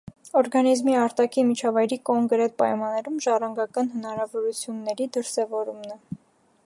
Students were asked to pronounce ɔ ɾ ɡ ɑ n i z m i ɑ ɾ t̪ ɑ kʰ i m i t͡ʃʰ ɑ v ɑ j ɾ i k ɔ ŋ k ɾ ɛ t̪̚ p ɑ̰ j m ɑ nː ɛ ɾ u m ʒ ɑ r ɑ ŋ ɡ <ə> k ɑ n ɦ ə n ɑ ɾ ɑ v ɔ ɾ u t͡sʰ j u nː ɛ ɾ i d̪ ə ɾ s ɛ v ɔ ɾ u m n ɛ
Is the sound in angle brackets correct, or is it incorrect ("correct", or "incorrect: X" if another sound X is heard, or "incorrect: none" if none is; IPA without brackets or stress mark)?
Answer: incorrect: ɑ